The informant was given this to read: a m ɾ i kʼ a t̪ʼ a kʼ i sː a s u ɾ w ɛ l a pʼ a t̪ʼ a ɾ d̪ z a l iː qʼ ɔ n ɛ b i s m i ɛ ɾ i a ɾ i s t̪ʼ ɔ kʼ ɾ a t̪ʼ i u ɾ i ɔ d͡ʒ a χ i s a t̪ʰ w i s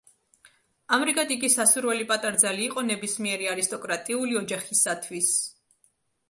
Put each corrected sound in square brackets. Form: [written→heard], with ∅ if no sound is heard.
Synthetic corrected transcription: a m ɾ i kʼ a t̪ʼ [a→i] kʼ i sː a s u ɾ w ɛ l [a→i] pʼ a t̪ʼ a ɾ d̪ z a l iː qʼ ɔ n ɛ b i s m i ɛ ɾ i a ɾ i s t̪ʼ ɔ kʼ ɾ a t̪ʼ i u [ɾ→l] i ɔ d͡ʒ a χ i s a t̪ʰ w i s

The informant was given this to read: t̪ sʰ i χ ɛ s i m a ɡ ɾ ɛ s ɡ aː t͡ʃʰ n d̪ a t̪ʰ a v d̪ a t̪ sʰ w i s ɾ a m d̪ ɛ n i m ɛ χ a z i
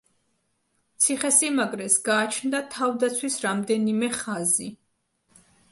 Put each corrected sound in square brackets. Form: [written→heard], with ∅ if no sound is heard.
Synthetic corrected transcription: t̪ sʰ i χ ɛ s i m a ɡ ɾ ɛ s ɡ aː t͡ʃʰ n d̪ a t̪ʰ a v d̪ a t̪ sʰ w i s ɾ a m d̪ ɛ n i m ɛ χ a z i

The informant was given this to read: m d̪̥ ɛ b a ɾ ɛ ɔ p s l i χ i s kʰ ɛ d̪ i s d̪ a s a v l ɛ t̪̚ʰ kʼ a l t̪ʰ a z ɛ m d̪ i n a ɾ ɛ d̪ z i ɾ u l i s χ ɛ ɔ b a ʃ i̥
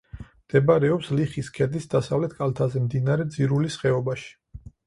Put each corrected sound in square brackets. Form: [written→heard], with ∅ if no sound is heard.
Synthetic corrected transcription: m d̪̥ ɛ b a ɾ ɛ ɔ p s l i χ i s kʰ ɛ d̪ i s d̪ a s a v l ɛ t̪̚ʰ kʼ a l t̪ʰ a z ɛ m d̪ i n a ɾ ɛ d̪ z i ɾ u l i s χ ɛ ɔ b a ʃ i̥

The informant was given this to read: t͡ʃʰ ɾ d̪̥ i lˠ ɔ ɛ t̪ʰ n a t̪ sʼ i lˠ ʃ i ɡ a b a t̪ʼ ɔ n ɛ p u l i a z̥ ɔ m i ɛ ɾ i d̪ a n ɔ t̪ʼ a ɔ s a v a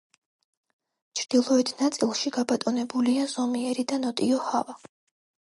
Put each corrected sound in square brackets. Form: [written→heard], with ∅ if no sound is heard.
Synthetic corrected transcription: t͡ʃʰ ɾ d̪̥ i lˠ ɔ ɛ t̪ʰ n a t̪ sʼ i lˠ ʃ i ɡ a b a t̪ʼ ɔ n ɛ [p→b] u l i a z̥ ɔ m i ɛ ɾ i d̪ a n ɔ t̪ʼ [a→i] ɔ [s→h] a v a

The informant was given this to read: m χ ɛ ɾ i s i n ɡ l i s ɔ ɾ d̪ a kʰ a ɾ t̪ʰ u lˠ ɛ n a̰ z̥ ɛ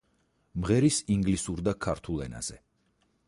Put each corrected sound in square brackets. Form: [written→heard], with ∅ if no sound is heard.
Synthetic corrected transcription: m [χ→ʁ] ɛ ɾ i s i [n→ŋ] ɡ l i s [ɔ→u] ɾ d̪ a kʰ a ɾ t̪ʰ u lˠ ɛ n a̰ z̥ ɛ

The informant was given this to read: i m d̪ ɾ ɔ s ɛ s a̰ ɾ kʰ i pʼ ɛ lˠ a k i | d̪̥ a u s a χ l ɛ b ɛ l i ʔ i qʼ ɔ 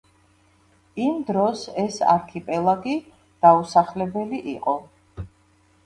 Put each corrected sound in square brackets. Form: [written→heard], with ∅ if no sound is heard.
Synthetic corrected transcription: i m d̪ ɾ ɔ s ɛ s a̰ ɾ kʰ i pʼ ɛ lˠ a [k→ɡ] i | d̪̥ a u s a χ l ɛ b ɛ l i ʔ i qʼ ɔ

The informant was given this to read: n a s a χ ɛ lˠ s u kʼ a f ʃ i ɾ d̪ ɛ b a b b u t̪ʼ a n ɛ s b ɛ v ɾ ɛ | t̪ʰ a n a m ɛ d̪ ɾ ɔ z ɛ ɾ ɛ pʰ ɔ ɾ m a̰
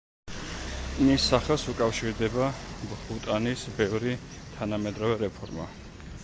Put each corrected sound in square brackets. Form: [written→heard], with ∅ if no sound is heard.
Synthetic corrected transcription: n [a→i] s a χ ɛ lˠ s u kʼ a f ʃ i ɾ d̪ ɛ b a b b u t̪ʼ a n [ɛ→i] s b ɛ v ɾ [ɛ→i] | t̪ʰ a n a m ɛ d̪ ɾ ɔ [z→v] ɛ ɾ ɛ pʰ ɔ ɾ m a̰

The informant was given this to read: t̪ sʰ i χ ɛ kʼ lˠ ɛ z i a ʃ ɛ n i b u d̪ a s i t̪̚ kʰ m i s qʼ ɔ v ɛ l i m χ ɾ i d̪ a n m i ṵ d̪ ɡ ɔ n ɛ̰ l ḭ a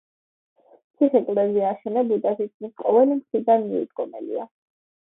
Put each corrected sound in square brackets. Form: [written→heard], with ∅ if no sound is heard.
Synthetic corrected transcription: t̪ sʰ i χ ɛ kʼ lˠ ɛ z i a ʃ ɛ n [i→ɛ] b u d̪ a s i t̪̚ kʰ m i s qʼ ɔ v ɛ l i m χ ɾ i d̪ a n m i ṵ d̪ ɡ ɔ [n→m] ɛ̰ l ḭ a

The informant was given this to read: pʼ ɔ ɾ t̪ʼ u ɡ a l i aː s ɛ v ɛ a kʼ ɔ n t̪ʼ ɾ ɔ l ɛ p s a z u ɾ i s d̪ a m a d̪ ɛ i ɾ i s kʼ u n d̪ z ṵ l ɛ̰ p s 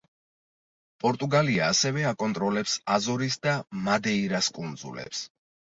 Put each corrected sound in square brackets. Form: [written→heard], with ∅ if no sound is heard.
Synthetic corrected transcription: pʼ ɔ ɾ t̪ʼ u ɡ a l i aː s ɛ v ɛ a kʼ ɔ n t̪ʼ ɾ ɔ l ɛ p s a z [u→ɔ] ɾ i s d̪ a m a d̪ ɛ i ɾ [i→a] s kʼ u n d̪ z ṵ l ɛ̰ p s

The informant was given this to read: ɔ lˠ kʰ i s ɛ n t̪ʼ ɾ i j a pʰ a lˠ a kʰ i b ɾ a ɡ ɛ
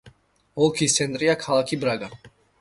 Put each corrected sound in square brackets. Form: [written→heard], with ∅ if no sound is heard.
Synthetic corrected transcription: ɔ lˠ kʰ i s ɛ n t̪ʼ ɾ i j a [pʰ→kʰ] a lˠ a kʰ i b ɾ a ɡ [ɛ→a]

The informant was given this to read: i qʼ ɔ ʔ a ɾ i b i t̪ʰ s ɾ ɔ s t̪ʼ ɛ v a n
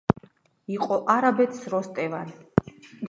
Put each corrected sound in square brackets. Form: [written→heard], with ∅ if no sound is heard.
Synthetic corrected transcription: i qʼ ɔ ʔ a ɾ [i→a] b [i→ɛ] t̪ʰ s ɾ ɔ s t̪ʼ ɛ v a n

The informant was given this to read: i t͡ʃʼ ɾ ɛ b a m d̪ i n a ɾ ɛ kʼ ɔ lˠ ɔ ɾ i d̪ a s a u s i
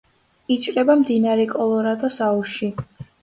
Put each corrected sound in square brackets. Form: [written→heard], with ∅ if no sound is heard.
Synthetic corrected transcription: i t͡ʃʼ ɾ ɛ b a m d̪ i n a ɾ ɛ kʼ ɔ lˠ ɔ ɾ [i→a] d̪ a s a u [s→ʃ] i

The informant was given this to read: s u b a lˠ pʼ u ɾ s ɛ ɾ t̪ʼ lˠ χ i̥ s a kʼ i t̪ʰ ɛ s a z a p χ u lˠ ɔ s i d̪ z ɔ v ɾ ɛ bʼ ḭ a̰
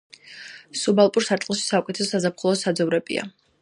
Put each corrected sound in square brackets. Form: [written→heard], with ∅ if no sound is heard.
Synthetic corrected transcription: s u b a lˠ pʼ u ɾ s [ɛ→a] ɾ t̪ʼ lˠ [χ→ʃ] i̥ s a kʼ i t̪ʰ ɛ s a z a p χ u lˠ ɔ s [i→a] d̪ z ɔ v ɾ ɛ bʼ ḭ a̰

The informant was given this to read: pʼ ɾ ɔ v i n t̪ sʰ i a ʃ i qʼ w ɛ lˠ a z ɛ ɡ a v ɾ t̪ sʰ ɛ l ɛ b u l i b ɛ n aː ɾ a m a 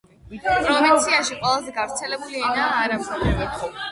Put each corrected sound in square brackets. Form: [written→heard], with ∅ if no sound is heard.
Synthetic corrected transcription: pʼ ɾ ɔ v i n t̪ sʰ i a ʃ i qʼ w ɛ lˠ a z ɛ ɡ a v ɾ t̪ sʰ ɛ l ɛ b u l i [b→∅] ɛ n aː ɾ a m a

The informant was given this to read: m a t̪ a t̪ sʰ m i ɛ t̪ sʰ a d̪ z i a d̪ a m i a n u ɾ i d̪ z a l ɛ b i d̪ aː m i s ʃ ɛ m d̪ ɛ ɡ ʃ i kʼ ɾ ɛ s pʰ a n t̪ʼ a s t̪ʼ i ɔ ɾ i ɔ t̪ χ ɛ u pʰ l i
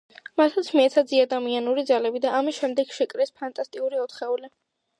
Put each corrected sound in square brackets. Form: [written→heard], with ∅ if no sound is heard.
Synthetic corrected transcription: m a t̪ a t̪ sʰ m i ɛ t̪ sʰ a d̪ z i a d̪ a m i a n u ɾ i d̪ z a l ɛ b i d̪ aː m i s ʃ ɛ m d̪ ɛ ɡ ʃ [i→ɛ] kʼ ɾ ɛ s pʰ a n t̪ʼ a s t̪ʼ i [ɔ→u] ɾ i ɔ t̪ χ ɛ u [pʰ→∅] l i

